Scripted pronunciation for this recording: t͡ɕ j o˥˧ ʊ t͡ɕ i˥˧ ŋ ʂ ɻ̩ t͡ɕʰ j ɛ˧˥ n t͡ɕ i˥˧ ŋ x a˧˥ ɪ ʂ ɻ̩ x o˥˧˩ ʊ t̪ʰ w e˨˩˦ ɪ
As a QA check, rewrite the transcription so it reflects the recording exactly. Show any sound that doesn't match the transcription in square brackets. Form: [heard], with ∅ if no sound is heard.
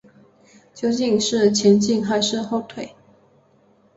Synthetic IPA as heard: t͡ɕ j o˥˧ ʊ t͡ɕ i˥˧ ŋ ʂ ɻ̩ t͡ɕʰ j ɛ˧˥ n t͡ɕ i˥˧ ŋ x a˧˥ ɪ ʂ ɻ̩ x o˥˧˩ ʊ t̪ʰ w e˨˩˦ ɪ